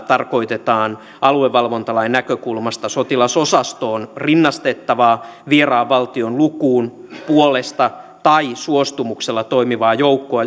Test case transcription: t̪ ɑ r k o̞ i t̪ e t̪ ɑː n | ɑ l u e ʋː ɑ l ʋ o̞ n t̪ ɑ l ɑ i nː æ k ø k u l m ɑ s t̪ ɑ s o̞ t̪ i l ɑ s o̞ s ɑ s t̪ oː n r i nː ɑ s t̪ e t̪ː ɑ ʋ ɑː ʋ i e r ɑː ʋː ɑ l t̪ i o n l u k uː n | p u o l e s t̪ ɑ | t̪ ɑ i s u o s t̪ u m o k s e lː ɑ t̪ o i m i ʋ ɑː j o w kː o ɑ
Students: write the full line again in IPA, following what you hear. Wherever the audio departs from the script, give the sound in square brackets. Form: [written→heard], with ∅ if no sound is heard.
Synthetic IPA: t̪ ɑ r k o̞ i t̪ e t̪ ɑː n | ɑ l u e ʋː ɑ l ʋ o̞ n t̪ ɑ l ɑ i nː æ k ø k u l m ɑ s t̪ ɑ s o̞ t̪ i l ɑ s o̞ s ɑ s t̪ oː n r i nː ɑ s t̪ e t̪ː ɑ ʋ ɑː ʋ i e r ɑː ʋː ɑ l t̪ i o n l u k uː n | p u o l e s t̪ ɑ | t̪ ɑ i s u o s t̪ u m [o→u] k s e lː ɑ t̪ o i m i ʋ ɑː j o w kː o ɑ